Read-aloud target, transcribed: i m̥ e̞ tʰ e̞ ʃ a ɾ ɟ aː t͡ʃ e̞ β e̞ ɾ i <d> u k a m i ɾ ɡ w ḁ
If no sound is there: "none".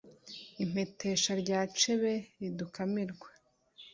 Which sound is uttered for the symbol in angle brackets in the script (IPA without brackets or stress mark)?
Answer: d